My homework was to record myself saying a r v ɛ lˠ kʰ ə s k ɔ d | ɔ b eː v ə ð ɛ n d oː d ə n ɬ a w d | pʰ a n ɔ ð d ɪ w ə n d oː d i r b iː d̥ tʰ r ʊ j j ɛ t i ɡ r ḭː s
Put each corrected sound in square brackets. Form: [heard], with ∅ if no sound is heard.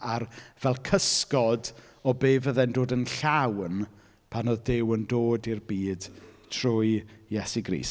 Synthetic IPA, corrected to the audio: a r v ɛ lˠ kʰ ə s k ɔ d | ɔ b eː v ə ð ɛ n d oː d ə n ɬ a w [n] | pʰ a n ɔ ð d ɪ w ə n d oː d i r b iː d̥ tʰ r ʊ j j ɛ [s] i ɡ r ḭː s